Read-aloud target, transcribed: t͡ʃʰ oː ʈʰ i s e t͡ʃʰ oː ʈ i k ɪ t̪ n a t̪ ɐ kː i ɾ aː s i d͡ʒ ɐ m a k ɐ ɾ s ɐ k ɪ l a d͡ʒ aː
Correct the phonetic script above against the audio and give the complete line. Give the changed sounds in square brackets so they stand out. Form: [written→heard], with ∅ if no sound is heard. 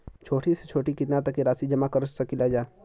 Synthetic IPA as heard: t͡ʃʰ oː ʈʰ i s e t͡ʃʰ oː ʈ i k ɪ t̪ n a t̪ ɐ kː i ɾ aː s i d͡ʒ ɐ m a k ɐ ɾ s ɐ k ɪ l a d͡ʒ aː